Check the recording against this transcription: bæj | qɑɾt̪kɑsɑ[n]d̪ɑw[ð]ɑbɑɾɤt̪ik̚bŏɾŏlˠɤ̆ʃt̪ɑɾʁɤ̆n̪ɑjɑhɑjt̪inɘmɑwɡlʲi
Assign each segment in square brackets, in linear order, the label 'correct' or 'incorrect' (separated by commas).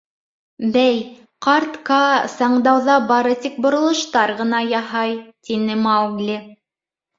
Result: incorrect, correct